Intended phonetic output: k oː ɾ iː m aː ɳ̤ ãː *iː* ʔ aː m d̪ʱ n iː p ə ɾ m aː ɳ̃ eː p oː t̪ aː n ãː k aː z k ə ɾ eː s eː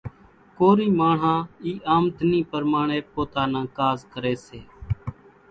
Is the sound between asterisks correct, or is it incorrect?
correct